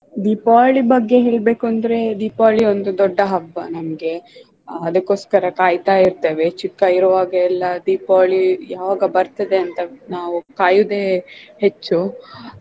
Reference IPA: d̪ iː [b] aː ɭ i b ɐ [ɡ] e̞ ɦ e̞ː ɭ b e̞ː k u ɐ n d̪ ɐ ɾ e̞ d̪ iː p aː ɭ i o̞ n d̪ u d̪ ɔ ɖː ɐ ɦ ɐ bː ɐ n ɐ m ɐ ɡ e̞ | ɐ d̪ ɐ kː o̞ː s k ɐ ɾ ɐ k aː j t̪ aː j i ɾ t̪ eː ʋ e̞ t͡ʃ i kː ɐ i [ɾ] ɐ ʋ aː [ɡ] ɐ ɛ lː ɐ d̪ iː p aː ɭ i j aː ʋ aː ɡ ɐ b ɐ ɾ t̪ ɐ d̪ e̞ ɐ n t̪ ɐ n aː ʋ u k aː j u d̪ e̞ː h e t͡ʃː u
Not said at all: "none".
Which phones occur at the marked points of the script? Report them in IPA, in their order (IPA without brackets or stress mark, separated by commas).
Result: p, ɡː, ɾ, ɡ